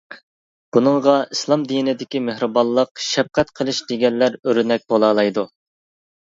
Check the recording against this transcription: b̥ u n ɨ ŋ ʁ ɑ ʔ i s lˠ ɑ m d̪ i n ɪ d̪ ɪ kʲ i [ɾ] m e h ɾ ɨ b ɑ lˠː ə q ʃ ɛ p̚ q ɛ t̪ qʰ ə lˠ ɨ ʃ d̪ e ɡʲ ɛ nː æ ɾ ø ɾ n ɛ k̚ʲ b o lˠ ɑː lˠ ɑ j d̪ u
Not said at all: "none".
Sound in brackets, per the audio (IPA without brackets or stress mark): none